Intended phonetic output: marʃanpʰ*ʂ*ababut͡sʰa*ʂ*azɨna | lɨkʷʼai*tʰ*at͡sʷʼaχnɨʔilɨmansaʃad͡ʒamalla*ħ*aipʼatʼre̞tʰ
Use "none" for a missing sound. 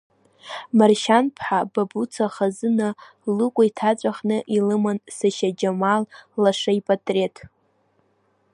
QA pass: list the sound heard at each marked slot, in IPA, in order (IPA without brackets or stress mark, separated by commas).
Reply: ħ, χ, tʰ, ʂ